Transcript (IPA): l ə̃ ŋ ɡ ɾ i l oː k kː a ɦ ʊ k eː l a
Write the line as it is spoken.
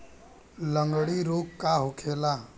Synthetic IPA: l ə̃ ŋ ɡ ɽ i ɾ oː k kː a ɦ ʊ kʰ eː l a

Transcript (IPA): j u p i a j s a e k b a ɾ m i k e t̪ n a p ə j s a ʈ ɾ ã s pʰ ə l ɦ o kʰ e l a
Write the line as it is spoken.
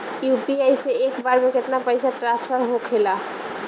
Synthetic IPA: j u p i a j s e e k b a ɾ m e k e t̪ n a p ə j s a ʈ ɾ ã s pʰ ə ɾ ɦ o kʰ e l a

